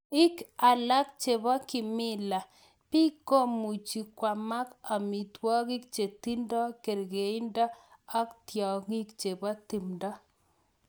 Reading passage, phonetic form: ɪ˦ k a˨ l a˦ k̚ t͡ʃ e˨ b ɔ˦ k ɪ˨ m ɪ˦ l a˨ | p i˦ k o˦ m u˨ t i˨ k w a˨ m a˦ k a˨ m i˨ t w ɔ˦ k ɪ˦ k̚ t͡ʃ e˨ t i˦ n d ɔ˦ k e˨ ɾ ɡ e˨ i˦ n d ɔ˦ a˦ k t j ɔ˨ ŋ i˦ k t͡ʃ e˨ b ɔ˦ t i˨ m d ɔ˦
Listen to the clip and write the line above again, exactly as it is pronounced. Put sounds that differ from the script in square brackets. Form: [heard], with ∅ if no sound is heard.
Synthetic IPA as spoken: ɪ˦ k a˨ l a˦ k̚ t͡ʃ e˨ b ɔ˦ k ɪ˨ m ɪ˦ l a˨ | p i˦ k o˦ m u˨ [t͡ʃ] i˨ k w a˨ m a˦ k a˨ m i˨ t w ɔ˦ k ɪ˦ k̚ t͡ʃ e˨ t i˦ n d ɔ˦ k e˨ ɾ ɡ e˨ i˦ n d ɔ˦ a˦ k t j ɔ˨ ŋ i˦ k t͡ʃ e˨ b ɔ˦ t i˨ m d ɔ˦